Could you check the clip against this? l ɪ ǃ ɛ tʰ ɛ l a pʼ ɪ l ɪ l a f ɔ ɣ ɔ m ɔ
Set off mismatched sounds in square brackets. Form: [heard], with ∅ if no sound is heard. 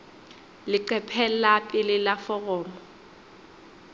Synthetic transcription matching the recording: l ɪ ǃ ɛ [pʰ] ɛ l a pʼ ɪ l ɪ l a f ɔ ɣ [ɔː] m ɔ